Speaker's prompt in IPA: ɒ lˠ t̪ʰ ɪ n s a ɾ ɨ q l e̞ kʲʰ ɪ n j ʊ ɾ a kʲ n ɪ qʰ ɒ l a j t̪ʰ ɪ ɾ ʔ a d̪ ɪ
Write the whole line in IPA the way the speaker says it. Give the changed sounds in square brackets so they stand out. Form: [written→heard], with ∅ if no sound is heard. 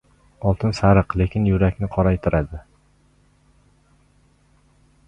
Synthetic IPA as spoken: ɒ lˠ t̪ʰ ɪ n s a ɾ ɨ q l e̞ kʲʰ ɪ n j ʊ ɾ a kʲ n ɪ qʰ ɒ [l→ɾ] a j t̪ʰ ɪ ɾ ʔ a d̪ ɪ